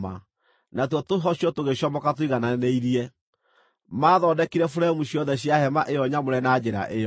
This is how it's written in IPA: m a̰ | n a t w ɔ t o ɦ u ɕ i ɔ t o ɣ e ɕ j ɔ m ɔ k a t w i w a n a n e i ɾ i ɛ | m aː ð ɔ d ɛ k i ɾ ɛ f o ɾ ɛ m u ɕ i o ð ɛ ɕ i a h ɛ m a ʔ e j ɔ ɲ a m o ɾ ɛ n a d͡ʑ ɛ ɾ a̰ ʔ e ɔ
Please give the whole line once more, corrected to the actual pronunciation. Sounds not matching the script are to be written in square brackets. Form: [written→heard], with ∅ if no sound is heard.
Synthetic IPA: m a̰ | n a t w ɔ t o ɦ [u→ɔ] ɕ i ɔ t o ɣ e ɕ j ɔ m ɔ k a t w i [w→ɣ] a n a n e i ɾ i ɛ | m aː ð ɔ d ɛ k i ɾ ɛ f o ɾ ɛ m u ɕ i [o→ɔ] ð ɛ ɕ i a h ɛ m a ʔ e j ɔ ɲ a m o ɾ ɛ n a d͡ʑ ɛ ɾ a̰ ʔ e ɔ

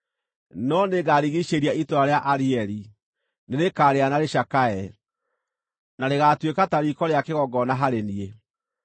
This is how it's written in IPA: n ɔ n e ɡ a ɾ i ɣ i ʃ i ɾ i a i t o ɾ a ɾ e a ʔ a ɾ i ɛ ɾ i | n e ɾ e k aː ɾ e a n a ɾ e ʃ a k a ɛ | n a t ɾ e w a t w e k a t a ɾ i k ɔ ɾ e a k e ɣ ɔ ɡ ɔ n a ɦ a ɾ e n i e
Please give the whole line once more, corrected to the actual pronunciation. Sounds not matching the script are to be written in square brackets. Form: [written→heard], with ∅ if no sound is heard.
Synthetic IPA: n ɔ n e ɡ a ɾ i ɣ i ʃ [i→e] ɾ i a i t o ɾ a ɾ e a ʔ a ɾ i ɛ ɾ i | n e ɾ e k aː ɾ e a n a ɾ e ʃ a k a ɛ | n a [t→∅] ɾ e [w→ɣ] a t w e k a t a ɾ i k ɔ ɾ e a k e ɣ ɔ ɡ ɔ n a ɦ a ɾ e n i e

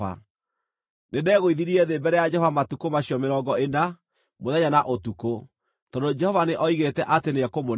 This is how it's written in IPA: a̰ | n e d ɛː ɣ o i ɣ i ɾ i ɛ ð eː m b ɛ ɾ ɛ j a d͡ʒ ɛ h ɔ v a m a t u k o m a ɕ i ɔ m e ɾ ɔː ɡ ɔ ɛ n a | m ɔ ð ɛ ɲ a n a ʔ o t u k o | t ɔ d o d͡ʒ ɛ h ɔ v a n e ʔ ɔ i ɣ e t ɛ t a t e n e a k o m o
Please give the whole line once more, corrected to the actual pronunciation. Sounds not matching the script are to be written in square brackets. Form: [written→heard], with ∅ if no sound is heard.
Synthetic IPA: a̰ | n e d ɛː ɣ o i [ɣ→ð] i ɾ i ɛ ð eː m b ɛ ɾ ɛ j a d͡ʒ ɛ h ɔ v a m a t u k o m a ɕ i ɔ m e ɾ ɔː ɡ ɔ [ɛ→e] n a | m [ɔ→o] ð ɛ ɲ a n a ʔ o t u k o | t ɔ d o d͡ʒ ɛ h ɔ v a n e ʔ ɔ i ɣ e t ɛ [t→ʔ] a t e n e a k o m o

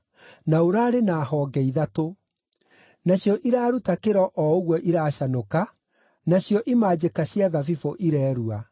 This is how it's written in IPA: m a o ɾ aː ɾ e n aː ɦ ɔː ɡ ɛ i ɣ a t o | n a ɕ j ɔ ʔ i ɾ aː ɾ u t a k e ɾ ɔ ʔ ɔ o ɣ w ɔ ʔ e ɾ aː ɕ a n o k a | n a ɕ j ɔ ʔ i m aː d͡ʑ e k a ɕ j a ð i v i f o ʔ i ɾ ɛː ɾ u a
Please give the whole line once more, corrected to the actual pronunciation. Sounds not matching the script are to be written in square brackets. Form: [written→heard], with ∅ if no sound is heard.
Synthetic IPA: [m→n] a o ɾ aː ɾ e n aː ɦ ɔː ɡ ɛ i [ɣ→ð] a t o | n a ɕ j ɔ ʔ i ɾ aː ɾ u t a k e ɾ ɔ ʔ ɔ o ɣ w ɔ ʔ [e→i] ɾ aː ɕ a n o k a | n a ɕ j ɔ ʔ i m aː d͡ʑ e k a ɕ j a ð [i→a] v i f o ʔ i ɾ ɛː ɾ u a

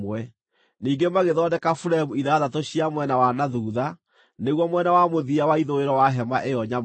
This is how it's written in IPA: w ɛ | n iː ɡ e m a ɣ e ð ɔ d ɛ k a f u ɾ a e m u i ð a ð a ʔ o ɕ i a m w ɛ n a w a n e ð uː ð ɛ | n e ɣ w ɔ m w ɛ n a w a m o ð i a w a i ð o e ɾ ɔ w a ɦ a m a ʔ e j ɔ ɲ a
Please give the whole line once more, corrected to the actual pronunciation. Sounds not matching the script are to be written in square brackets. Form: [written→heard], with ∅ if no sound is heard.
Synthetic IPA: w ɛ | n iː ɡ e m a ɣ e ð ɔ d ɛ k a f u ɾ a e m u i ð a ð a [ʔ→t] o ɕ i a m w ɛ n a w a n [e→a] ð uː ð [ɛ→a] | n e ɣ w ɔ m w ɛ n a w a m o ð i a w a i ð o e ɾ ɔ w a ɦ [a→ɛ] m a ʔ e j ɔ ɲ a

